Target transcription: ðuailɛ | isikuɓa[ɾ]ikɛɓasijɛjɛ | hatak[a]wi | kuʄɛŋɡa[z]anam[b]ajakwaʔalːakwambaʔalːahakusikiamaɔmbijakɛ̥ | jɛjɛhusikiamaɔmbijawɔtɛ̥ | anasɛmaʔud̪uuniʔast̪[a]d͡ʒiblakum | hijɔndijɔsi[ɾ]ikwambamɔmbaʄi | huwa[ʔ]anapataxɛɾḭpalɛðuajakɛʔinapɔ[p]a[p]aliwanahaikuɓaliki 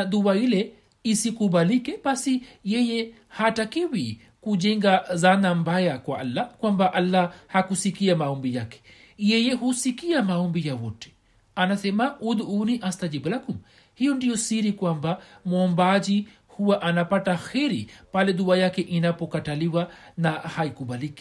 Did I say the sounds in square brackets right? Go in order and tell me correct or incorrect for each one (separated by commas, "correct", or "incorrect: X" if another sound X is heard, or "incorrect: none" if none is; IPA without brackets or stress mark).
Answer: incorrect: l, incorrect: i, correct, correct, correct, correct, correct, incorrect: k, incorrect: t